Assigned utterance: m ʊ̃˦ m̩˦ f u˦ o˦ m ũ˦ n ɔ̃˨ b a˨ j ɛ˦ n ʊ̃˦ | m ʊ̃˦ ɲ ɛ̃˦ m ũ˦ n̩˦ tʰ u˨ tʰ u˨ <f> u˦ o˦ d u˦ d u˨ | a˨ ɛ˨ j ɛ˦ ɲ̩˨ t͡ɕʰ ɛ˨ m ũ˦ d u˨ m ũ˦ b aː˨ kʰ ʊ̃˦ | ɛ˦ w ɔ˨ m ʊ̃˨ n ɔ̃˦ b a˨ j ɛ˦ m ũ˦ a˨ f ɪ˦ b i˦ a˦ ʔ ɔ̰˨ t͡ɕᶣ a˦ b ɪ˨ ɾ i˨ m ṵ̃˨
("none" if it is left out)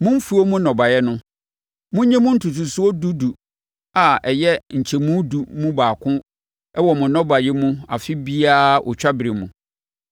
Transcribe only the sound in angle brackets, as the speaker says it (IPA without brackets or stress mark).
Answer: s